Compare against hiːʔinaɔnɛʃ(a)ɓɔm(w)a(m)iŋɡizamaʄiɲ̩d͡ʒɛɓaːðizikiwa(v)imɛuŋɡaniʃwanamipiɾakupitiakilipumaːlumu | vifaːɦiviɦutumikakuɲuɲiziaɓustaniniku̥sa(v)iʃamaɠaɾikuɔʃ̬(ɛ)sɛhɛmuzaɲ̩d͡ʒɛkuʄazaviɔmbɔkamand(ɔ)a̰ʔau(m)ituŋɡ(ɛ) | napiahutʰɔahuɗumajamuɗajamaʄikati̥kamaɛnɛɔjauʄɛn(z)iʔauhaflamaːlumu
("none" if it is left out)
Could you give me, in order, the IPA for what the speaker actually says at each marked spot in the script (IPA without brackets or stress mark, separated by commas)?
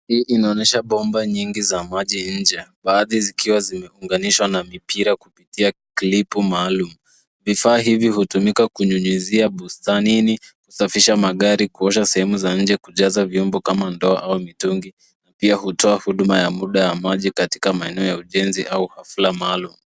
a, b, ɲ, z, f, a, ɔ, m, i, z